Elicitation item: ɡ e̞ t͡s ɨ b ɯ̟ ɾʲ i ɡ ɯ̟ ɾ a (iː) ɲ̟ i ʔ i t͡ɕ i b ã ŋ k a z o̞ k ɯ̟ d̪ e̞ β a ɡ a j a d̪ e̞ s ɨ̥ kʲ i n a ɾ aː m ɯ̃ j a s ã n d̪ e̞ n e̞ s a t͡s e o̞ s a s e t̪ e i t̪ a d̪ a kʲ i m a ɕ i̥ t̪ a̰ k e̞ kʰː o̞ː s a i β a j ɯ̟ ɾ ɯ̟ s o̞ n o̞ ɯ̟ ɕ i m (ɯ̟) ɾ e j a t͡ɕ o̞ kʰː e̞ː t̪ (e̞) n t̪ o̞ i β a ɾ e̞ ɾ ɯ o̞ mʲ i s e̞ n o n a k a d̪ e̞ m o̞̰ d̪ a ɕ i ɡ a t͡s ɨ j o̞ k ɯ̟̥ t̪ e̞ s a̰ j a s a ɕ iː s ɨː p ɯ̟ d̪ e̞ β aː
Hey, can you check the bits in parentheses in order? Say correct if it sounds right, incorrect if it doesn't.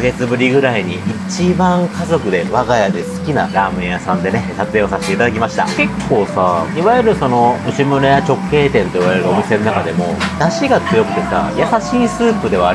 incorrect: i, correct, incorrect: ẽ̞

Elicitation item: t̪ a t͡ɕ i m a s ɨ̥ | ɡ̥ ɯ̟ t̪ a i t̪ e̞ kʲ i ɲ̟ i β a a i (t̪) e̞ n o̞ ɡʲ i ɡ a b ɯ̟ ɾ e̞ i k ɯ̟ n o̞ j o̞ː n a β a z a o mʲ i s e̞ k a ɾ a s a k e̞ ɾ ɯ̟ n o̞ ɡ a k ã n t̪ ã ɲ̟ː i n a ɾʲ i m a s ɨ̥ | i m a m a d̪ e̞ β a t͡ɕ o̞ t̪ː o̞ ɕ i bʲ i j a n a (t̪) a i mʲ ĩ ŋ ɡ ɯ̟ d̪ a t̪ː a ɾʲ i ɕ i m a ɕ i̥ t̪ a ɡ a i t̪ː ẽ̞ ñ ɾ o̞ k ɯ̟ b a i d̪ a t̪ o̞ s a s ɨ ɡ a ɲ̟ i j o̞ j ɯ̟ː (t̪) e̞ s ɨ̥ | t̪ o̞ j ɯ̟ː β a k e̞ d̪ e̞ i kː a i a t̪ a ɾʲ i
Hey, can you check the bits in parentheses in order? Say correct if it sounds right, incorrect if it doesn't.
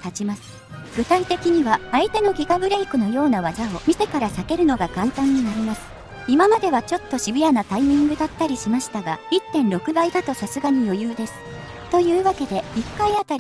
correct, correct, incorrect: d̪

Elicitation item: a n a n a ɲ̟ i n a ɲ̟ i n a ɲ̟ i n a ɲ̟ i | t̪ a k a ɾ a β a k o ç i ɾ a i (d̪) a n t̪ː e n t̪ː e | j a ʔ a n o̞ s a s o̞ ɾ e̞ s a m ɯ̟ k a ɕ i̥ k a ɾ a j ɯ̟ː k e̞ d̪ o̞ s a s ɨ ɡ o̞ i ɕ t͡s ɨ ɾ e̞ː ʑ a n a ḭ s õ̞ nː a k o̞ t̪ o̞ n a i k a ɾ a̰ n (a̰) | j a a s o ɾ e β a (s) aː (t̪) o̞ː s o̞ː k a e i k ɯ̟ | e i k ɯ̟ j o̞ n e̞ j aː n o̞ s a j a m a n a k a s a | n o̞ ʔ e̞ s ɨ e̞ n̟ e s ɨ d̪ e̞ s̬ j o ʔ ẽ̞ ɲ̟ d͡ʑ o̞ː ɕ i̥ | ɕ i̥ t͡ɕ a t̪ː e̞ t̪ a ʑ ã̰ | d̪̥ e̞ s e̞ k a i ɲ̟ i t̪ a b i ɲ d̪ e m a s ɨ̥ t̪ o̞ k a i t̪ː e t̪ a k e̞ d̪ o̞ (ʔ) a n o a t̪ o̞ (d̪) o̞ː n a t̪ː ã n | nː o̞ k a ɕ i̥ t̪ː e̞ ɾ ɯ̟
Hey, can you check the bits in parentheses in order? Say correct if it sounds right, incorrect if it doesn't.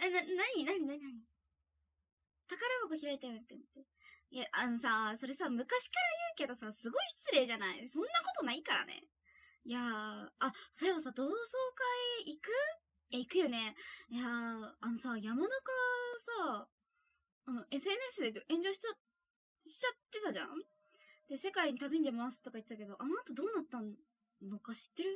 incorrect: t̪, incorrect: ḛ, correct, incorrect: d̪, correct, correct

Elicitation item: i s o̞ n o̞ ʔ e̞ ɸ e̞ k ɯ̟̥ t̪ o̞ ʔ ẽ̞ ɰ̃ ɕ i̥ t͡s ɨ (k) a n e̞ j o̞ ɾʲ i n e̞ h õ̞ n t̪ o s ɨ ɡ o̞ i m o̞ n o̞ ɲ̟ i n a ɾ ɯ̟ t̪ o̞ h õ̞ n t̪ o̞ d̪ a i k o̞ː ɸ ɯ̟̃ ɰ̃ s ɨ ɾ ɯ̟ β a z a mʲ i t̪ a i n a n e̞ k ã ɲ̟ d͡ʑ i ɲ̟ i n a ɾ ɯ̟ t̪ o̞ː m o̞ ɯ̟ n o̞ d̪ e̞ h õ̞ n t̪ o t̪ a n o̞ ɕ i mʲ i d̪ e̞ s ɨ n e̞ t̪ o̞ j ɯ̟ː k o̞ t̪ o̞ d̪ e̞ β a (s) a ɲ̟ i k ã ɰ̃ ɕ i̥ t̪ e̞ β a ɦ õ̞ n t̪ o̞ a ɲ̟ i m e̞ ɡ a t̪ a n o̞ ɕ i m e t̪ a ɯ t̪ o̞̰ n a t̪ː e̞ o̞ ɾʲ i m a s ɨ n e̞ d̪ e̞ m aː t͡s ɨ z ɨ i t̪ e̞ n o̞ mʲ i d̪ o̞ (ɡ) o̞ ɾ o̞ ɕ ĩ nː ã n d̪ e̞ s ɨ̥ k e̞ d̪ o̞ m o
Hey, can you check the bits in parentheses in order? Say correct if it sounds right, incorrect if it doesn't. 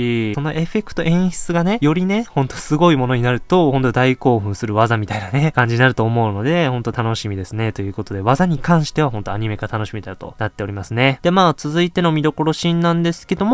incorrect: ɡ, incorrect: z, incorrect: k

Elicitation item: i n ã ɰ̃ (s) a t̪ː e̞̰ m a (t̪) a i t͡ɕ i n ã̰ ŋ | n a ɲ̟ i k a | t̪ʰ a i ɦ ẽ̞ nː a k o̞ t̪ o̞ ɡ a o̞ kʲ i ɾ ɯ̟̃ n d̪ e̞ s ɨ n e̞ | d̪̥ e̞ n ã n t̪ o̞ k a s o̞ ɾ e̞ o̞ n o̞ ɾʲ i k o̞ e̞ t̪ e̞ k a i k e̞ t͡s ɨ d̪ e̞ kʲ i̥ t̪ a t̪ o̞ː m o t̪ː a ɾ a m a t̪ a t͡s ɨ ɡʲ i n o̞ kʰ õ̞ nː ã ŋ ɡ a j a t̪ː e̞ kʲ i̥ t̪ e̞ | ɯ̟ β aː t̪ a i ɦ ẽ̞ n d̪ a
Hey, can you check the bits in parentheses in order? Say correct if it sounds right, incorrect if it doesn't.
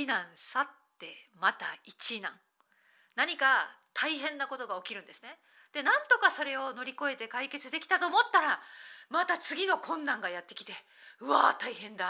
correct, correct

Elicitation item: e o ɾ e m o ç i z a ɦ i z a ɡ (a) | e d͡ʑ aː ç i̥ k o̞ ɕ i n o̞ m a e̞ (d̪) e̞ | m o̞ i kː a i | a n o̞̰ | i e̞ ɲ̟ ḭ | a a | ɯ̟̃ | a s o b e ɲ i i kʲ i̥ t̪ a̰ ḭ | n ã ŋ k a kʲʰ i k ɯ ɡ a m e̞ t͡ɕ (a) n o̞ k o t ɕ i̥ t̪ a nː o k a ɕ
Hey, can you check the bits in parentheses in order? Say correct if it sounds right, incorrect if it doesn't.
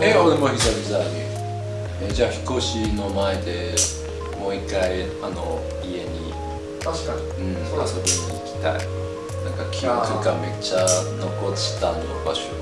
incorrect: i, correct, correct

